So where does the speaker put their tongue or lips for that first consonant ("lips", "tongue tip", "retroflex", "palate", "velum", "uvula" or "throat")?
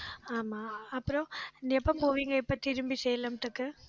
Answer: lips